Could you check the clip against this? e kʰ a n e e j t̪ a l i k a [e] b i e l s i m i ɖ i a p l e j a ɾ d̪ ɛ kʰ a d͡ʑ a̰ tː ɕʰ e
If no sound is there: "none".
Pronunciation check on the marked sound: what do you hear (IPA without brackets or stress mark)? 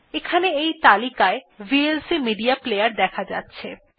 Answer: e